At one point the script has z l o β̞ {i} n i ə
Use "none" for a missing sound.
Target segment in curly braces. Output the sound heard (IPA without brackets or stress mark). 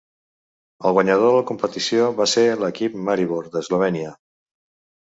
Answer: ɛ